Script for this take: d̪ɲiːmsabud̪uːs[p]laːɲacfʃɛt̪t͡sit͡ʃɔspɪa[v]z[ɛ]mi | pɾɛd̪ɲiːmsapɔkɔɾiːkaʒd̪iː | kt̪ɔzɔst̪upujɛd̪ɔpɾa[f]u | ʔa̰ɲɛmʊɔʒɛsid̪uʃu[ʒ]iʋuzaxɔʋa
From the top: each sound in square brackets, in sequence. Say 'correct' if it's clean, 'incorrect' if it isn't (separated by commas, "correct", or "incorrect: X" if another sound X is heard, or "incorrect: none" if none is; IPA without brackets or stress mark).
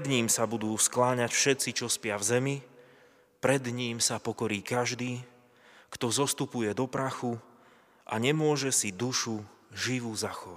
incorrect: k, correct, correct, incorrect: x, correct